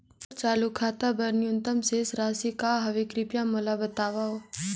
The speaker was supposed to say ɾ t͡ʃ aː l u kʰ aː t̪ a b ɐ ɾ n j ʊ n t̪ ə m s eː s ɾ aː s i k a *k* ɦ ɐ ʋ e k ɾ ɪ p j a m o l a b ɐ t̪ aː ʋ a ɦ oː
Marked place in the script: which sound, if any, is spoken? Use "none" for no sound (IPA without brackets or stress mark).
none